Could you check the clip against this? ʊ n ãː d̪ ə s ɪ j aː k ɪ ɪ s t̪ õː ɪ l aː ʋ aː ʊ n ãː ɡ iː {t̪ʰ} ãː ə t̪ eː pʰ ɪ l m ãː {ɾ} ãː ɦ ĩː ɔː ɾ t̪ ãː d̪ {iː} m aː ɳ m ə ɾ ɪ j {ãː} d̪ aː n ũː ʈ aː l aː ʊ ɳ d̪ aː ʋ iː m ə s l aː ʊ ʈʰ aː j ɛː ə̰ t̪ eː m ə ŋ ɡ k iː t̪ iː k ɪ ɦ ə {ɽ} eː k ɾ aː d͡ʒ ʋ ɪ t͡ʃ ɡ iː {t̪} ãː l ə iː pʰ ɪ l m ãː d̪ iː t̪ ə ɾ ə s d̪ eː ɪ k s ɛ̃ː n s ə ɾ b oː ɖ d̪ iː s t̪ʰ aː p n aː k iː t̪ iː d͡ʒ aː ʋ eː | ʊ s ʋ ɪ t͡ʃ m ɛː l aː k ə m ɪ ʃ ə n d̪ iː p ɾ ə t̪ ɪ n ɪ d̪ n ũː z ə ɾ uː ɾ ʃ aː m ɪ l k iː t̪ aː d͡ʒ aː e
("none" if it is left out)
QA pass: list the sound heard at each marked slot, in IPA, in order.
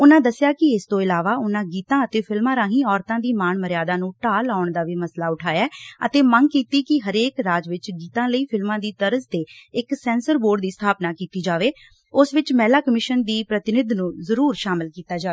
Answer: t̪, ɾ, iː, aː, ɾ, t̪

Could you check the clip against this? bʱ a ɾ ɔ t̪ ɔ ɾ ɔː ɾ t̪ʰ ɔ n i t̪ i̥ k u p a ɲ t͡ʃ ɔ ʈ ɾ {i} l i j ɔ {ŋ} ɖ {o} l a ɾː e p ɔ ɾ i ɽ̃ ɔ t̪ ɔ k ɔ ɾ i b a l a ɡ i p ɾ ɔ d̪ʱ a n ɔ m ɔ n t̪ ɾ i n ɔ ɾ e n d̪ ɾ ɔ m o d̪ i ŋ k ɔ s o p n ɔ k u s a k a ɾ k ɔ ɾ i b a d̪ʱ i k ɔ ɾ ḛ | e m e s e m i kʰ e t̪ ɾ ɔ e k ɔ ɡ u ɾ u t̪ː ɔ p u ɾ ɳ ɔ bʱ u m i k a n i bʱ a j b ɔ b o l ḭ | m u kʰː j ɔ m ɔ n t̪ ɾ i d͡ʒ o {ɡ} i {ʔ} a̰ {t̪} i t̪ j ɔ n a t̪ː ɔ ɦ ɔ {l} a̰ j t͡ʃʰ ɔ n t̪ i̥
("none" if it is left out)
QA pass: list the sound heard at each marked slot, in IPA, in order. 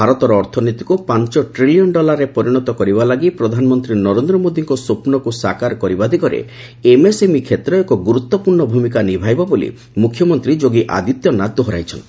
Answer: i, n, ɔ, ɡ, ʔ, d̪, ɾ

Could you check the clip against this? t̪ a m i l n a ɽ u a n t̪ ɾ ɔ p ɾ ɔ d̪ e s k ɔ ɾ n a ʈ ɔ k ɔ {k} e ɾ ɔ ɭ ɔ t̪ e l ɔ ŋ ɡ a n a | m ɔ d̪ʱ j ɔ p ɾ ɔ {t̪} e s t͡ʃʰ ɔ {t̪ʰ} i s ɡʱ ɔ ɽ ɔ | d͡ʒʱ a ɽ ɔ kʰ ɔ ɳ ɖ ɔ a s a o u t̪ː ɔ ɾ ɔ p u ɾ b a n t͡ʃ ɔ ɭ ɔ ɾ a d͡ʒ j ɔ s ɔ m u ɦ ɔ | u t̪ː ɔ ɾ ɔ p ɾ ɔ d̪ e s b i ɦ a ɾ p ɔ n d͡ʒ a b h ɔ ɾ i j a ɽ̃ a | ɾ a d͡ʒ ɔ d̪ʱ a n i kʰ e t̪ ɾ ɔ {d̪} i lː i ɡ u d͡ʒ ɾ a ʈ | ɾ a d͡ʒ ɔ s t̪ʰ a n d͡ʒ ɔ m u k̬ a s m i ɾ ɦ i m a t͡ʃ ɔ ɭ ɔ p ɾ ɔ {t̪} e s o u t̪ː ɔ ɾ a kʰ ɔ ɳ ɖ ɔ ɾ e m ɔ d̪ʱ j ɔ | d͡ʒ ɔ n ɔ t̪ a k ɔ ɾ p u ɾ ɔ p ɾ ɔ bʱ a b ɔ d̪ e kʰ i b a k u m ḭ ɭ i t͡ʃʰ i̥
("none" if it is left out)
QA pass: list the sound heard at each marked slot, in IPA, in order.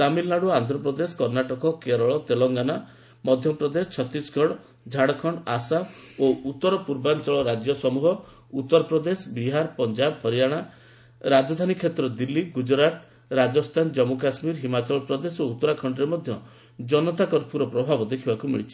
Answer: k, d̪, t̪, d̪, d̪

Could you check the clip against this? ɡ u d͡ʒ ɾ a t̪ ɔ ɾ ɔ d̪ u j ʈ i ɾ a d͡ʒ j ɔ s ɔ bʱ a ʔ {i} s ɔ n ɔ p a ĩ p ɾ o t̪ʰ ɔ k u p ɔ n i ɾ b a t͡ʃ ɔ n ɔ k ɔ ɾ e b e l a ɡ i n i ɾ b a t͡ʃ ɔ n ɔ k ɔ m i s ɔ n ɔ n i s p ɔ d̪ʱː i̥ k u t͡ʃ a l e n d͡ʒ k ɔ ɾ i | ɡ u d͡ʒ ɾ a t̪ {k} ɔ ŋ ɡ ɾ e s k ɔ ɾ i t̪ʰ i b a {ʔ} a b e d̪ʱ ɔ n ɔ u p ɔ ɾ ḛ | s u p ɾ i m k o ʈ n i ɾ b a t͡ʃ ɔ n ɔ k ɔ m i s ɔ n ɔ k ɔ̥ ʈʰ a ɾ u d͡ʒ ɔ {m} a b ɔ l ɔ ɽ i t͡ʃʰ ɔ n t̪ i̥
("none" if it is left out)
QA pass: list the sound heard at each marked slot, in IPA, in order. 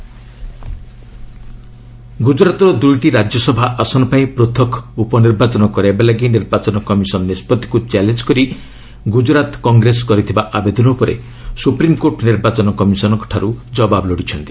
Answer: a, k, ʔ, b

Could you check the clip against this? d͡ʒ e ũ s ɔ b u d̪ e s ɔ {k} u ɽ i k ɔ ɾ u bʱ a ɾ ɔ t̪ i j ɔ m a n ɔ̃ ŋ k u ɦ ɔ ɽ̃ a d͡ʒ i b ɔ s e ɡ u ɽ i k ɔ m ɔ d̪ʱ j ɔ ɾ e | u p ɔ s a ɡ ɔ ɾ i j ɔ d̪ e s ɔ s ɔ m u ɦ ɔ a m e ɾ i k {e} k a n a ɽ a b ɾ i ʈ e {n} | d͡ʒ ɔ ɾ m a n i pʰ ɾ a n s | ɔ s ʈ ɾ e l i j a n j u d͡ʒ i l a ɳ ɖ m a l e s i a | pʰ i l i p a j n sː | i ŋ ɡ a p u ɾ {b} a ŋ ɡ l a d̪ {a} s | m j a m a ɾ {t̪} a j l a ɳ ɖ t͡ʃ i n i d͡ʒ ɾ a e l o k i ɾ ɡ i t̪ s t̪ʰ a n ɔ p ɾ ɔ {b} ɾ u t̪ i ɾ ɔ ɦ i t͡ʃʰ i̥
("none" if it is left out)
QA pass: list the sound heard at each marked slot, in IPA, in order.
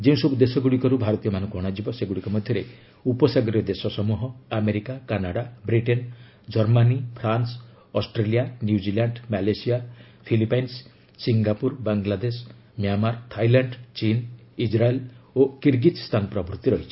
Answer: ɡ, a, n, b, e, t̪ʰ, b

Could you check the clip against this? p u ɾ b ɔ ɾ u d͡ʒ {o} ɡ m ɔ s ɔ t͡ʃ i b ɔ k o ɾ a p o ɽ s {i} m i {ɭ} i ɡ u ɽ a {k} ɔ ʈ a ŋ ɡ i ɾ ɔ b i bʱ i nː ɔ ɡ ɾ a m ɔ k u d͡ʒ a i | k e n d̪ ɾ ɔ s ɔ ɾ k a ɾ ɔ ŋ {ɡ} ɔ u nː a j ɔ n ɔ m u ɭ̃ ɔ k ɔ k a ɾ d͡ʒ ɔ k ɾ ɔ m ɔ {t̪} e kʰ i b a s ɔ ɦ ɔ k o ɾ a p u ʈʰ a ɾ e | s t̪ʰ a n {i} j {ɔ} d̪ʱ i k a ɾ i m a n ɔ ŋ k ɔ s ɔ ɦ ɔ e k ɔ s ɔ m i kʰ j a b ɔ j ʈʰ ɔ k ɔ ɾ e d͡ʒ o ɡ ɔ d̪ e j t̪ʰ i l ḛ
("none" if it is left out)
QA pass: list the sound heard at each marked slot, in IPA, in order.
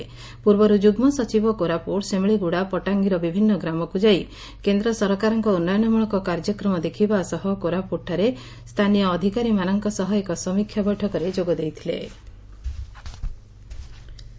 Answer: u, e, ɭ, p, k, d̪, i, ɔː

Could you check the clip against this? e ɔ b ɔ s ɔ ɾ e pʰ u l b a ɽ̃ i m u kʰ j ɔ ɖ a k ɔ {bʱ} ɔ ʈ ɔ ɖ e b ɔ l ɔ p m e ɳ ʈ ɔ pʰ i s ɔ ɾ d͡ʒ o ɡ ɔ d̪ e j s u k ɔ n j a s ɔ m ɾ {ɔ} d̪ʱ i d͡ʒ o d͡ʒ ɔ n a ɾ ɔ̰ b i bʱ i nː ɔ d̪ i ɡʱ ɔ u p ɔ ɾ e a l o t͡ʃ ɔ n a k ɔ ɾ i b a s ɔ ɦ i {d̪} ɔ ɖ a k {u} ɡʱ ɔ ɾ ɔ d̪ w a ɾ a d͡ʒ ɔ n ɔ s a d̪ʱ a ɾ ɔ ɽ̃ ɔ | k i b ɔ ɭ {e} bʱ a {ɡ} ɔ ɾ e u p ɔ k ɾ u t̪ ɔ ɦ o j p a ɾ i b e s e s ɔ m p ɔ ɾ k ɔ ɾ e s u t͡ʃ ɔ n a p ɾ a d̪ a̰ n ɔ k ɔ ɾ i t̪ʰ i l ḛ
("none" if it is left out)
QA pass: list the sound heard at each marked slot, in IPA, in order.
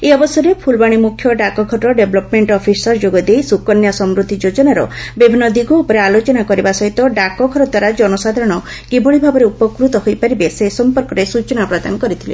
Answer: ɡʱ, u, t̪, ɔ, i, b

